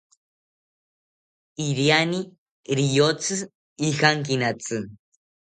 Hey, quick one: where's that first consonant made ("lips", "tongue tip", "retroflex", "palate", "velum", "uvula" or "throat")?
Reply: tongue tip